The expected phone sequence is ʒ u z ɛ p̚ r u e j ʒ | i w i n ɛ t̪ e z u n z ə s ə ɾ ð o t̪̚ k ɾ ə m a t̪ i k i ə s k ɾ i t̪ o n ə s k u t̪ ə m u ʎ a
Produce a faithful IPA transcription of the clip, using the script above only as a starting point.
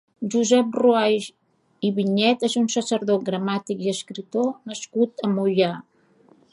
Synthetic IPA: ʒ u z ɛ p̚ r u a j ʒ | i β i ɲ ɛ t̪ e z u n s ə s ə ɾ ð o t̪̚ ɡ ɾ ə m a t̪ i k i ə s k ɾ i t̪ o n ə s k u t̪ ə m u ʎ a